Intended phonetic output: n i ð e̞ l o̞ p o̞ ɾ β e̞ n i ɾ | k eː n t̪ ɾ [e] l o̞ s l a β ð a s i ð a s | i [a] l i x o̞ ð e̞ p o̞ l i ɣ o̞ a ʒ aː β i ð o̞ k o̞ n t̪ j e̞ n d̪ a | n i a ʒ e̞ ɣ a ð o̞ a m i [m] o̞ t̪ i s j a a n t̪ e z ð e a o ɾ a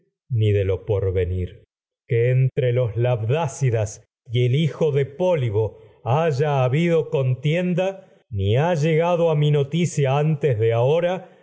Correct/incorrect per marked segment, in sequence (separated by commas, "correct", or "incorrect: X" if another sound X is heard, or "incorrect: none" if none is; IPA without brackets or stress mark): correct, incorrect: e, incorrect: n